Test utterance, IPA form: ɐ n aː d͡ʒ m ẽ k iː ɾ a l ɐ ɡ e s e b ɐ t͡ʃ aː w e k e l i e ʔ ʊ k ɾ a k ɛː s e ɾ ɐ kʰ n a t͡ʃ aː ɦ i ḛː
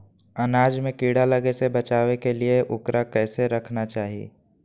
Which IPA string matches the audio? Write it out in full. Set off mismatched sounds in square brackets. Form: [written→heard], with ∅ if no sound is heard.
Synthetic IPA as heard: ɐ n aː d͡ʒ m ẽ k iː [ɾ→ɽ] a l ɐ ɡ e s e b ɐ t͡ʃ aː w e k e l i e ʔ ʊ k ɾ a k ɛː s e ɾ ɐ kʰ n a t͡ʃ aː ɦ i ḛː